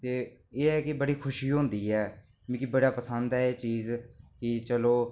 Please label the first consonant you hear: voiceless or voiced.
voiceless